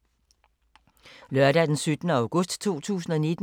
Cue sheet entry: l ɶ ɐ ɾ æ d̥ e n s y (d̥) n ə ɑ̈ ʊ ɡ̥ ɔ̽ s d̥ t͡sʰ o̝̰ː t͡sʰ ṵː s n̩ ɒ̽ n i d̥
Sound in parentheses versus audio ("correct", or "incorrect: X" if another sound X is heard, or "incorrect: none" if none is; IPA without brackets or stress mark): correct